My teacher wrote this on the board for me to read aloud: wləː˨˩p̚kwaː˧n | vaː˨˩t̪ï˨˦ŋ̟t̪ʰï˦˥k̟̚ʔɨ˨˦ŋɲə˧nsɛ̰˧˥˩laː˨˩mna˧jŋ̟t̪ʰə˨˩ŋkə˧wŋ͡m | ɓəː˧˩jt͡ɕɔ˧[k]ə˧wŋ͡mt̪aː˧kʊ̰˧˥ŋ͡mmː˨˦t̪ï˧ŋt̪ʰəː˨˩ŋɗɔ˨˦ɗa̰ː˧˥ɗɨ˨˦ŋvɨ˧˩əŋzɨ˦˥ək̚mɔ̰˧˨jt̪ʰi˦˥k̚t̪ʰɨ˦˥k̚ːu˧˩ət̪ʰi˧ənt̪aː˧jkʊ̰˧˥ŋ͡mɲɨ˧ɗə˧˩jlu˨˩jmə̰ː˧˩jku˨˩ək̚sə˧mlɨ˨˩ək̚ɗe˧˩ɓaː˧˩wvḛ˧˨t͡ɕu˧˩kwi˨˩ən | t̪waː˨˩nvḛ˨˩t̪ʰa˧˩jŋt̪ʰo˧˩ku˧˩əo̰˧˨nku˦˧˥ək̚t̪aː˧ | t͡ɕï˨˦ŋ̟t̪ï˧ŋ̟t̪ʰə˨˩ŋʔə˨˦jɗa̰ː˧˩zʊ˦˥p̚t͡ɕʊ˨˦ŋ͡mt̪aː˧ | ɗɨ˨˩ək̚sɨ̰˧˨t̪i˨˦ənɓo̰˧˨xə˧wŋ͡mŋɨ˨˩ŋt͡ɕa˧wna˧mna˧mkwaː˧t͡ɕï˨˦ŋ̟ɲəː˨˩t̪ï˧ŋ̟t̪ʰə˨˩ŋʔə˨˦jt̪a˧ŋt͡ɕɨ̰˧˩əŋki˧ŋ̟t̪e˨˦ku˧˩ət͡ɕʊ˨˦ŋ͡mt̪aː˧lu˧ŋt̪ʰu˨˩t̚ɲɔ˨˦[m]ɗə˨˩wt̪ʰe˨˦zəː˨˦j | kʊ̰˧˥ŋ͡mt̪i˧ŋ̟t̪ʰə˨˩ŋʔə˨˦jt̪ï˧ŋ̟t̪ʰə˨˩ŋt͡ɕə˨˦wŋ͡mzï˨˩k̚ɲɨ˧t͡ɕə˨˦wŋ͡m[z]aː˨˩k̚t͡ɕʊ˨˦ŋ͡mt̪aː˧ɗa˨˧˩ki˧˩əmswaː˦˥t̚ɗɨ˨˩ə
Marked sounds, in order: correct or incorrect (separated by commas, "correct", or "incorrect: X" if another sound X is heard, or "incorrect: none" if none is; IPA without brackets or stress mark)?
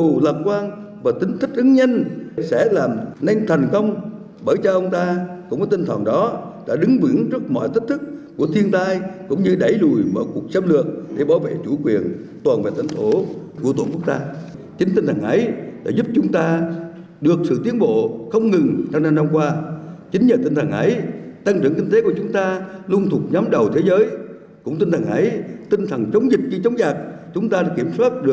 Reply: incorrect: ʔ, correct, correct